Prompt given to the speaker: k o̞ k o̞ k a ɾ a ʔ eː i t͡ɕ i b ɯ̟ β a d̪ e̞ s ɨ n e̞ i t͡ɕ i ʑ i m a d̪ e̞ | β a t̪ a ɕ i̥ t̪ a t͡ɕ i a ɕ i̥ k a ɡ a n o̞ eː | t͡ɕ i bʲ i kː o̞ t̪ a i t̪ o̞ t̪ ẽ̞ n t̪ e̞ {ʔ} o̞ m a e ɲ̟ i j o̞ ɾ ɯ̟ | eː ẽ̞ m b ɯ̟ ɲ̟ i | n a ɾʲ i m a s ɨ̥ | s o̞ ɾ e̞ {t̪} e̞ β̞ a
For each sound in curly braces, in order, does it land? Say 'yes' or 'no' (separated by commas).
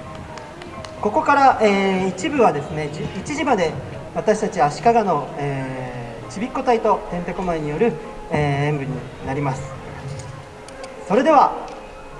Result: no, no